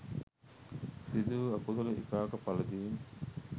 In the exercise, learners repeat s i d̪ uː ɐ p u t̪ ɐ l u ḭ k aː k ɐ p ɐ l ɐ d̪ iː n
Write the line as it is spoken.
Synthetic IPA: s i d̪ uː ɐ k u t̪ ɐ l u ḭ k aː k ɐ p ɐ l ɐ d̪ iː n